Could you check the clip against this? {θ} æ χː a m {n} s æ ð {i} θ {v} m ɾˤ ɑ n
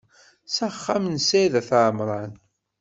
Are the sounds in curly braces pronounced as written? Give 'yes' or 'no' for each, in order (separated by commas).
no, yes, no, no